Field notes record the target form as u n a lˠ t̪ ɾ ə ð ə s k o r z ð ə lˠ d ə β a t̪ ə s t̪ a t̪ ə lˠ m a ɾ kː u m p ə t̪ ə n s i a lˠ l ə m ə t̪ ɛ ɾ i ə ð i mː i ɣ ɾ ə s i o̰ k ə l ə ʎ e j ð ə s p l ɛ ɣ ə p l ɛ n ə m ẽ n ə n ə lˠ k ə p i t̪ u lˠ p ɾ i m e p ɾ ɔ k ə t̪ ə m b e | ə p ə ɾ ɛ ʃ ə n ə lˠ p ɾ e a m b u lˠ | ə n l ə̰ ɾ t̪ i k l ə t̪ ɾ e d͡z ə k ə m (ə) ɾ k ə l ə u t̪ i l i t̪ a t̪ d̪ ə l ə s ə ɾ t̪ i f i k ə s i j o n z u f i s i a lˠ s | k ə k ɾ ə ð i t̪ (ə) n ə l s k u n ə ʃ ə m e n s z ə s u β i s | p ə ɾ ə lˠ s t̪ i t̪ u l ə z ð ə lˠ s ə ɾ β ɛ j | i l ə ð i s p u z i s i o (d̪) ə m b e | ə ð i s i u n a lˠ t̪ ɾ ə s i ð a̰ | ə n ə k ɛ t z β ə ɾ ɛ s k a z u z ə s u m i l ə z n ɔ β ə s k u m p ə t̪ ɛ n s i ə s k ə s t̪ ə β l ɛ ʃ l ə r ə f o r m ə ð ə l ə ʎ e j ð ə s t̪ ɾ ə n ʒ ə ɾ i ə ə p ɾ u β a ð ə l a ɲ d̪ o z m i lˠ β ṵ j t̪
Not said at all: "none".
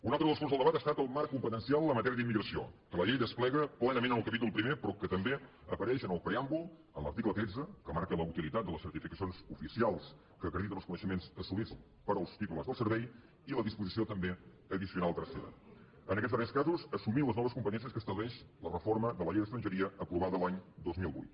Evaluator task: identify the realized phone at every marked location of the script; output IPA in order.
a, ə, t̪

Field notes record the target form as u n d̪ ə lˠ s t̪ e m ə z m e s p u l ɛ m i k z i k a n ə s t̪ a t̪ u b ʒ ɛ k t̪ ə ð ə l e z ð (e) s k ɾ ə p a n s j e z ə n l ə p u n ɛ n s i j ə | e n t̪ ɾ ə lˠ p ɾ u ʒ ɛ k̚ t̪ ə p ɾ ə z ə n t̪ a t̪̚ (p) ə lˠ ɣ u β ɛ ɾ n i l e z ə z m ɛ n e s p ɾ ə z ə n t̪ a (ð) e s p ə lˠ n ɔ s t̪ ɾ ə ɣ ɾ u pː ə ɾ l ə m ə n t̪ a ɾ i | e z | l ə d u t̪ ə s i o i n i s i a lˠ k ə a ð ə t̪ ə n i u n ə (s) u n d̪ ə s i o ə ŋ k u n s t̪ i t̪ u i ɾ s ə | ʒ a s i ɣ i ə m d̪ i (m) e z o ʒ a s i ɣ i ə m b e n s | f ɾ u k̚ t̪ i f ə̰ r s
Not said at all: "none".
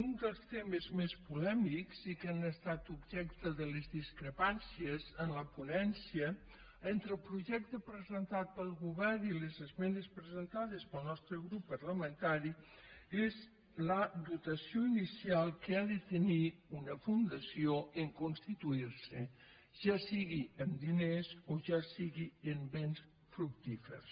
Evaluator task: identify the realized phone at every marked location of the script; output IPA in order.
i, p, ð, f, n

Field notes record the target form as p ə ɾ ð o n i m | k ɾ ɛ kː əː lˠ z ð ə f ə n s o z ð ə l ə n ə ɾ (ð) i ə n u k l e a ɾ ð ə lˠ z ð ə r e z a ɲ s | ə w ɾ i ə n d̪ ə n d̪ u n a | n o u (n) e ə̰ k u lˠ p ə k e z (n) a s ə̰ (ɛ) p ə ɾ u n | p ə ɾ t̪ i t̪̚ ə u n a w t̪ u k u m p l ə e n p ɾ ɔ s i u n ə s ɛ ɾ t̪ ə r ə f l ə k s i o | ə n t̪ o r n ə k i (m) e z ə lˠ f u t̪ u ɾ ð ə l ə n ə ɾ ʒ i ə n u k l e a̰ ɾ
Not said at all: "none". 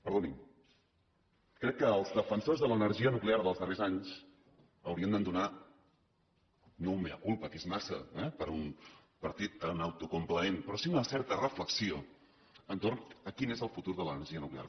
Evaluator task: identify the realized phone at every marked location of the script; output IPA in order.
ʒ, m, m, ɛ, n

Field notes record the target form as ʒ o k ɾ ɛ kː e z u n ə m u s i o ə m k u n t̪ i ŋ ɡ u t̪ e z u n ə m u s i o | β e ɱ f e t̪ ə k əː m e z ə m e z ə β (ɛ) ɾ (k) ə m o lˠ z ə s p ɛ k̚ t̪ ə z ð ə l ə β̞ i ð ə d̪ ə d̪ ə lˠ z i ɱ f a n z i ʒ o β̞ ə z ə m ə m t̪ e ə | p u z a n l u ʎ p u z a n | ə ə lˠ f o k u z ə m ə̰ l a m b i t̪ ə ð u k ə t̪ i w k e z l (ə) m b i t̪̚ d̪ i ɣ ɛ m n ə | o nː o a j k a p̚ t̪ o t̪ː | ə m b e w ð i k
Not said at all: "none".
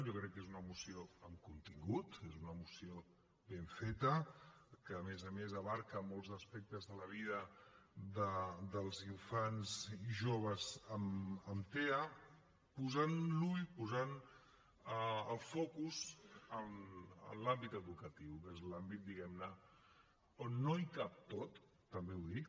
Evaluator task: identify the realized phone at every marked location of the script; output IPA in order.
a, k, a

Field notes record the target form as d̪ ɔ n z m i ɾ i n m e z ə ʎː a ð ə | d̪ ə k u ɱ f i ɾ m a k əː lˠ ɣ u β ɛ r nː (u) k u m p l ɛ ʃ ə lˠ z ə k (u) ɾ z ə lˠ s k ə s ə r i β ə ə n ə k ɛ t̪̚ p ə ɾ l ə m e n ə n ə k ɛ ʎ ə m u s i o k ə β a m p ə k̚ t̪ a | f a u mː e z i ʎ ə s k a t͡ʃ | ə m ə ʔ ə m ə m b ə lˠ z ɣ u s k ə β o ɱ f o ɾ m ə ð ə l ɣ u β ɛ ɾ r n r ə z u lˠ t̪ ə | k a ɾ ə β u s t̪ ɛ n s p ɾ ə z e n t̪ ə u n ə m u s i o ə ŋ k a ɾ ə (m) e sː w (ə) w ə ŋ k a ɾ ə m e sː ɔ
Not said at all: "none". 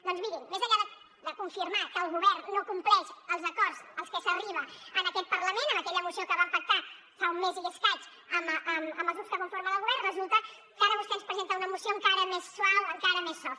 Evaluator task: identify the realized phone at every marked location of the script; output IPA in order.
o, ɔ, m, a

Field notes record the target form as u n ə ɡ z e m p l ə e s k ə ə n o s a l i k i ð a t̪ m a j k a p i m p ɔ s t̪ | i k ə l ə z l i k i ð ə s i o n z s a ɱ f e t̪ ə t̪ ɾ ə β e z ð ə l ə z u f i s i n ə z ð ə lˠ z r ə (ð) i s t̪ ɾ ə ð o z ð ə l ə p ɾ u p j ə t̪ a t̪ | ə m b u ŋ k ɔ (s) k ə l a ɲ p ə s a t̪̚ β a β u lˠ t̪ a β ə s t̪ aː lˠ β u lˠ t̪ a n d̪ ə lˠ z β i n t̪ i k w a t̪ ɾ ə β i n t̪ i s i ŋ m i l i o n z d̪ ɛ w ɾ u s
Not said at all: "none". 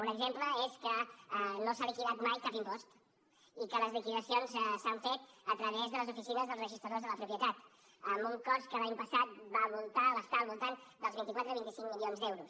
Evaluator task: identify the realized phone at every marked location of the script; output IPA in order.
ʒ, s

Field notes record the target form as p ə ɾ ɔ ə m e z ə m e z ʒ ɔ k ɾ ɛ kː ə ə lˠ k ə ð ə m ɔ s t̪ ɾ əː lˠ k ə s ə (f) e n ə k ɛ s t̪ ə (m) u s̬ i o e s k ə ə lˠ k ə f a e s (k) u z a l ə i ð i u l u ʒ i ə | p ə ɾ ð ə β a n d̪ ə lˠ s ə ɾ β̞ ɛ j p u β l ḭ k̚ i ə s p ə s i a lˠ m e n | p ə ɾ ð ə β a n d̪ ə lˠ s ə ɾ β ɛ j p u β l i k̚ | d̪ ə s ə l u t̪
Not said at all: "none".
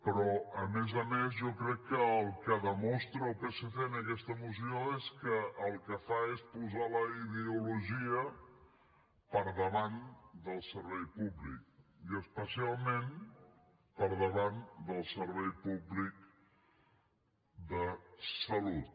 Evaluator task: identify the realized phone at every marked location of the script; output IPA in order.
f, m, p

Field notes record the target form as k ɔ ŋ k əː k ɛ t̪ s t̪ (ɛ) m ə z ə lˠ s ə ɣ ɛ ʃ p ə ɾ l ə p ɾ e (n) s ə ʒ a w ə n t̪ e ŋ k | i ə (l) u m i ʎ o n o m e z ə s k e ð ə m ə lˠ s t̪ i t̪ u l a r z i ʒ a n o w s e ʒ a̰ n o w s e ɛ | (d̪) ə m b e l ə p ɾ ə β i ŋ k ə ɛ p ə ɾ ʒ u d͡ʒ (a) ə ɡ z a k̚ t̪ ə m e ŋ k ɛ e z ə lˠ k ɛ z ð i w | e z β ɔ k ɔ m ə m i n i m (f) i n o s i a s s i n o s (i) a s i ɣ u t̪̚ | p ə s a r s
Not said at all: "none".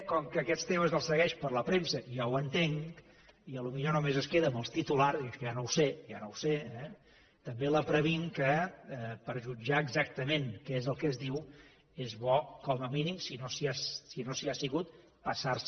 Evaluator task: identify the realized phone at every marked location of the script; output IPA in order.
e, m, l, t̪, a, s, i

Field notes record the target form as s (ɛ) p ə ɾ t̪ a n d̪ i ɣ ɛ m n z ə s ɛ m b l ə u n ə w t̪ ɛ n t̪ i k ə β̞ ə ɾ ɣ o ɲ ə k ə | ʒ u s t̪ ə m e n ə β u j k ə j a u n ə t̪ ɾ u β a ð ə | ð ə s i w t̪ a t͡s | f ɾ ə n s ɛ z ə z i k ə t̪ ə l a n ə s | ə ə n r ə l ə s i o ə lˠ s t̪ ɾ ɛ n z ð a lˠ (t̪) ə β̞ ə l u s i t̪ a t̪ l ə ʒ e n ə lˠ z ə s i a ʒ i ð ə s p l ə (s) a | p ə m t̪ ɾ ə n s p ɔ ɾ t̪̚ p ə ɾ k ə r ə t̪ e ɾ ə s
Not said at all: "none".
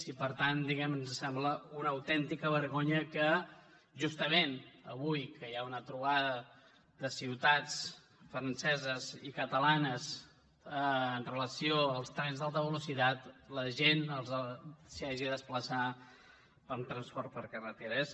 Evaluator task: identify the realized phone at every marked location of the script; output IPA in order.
i, t̪, s

